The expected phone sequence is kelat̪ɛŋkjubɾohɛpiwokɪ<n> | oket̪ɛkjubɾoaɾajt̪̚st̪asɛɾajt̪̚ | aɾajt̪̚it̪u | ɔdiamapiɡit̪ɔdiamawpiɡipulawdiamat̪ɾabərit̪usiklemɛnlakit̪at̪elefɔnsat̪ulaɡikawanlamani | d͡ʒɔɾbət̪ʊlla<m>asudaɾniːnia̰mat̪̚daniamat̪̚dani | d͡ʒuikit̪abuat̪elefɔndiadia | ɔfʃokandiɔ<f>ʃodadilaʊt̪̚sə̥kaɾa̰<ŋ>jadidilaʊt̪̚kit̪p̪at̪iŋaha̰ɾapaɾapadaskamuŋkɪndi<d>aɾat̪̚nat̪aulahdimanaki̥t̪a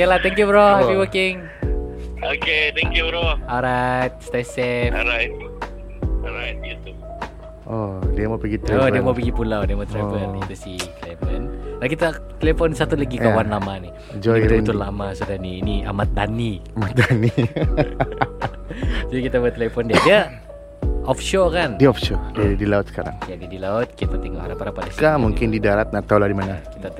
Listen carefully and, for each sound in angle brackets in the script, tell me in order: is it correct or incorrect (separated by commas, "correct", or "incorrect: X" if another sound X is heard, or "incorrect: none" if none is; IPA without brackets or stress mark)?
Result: incorrect: ŋ, correct, correct, correct, correct